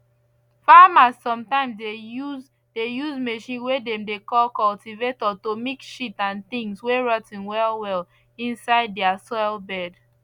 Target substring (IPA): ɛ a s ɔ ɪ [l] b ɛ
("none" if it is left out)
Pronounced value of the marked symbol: l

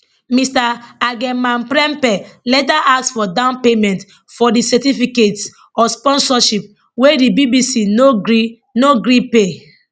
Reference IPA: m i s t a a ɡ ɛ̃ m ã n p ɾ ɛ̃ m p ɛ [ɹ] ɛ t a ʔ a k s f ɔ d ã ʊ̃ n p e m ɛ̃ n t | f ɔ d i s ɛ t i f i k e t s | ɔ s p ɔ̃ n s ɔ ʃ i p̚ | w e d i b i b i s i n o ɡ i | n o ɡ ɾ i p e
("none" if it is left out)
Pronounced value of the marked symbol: l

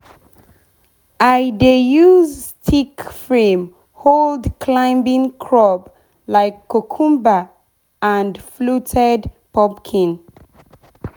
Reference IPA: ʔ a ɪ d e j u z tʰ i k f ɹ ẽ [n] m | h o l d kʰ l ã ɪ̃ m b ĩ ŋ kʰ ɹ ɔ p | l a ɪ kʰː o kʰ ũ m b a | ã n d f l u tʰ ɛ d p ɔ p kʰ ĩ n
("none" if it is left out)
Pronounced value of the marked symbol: none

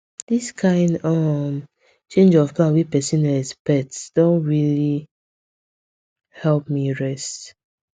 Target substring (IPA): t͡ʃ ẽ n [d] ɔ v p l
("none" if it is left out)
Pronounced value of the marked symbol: d͡ʒ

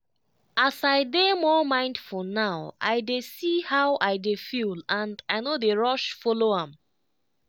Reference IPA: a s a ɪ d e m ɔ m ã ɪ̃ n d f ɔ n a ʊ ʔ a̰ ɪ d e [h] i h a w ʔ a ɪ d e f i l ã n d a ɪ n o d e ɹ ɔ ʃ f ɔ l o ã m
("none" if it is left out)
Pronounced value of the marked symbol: s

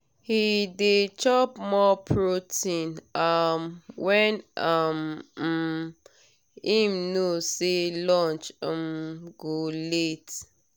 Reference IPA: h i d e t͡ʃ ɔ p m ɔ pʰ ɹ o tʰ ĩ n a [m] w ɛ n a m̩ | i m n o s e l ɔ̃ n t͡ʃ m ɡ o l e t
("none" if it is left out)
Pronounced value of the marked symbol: m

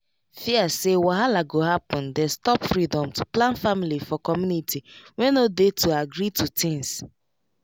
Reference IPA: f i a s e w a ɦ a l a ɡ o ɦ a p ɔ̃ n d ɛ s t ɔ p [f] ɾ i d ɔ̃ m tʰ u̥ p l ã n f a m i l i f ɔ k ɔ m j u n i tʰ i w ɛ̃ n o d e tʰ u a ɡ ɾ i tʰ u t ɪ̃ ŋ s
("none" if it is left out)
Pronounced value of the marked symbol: f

